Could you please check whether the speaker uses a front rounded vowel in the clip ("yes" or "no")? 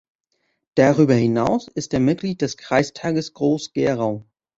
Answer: yes